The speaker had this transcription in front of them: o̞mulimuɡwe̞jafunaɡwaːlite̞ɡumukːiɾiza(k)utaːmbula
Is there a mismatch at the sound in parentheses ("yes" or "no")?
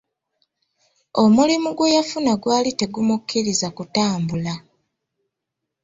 no